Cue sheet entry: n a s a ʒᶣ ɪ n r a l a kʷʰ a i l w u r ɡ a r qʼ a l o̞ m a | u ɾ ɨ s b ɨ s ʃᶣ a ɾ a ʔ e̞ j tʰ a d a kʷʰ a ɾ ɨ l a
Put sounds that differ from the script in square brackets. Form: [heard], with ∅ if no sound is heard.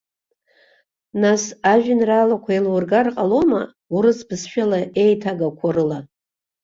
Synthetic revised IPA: n a s a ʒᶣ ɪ n r a l a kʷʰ a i l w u r ɡ a r qʼ a l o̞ m a | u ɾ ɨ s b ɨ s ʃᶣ a [l] a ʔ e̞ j tʰ a [ɡ] a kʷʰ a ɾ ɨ l a